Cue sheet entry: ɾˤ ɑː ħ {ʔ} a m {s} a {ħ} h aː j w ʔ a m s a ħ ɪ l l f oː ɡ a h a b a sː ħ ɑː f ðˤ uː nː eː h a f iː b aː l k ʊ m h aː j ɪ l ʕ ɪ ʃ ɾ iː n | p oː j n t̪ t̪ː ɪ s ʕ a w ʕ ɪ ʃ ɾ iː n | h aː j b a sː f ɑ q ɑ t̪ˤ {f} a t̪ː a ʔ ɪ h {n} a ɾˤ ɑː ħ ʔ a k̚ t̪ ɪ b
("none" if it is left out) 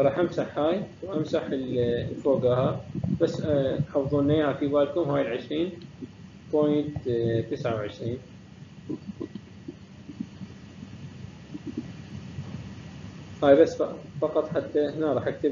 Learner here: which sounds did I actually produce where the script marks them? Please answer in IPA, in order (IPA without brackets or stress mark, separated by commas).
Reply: ʔ, s, ħ, ħ, n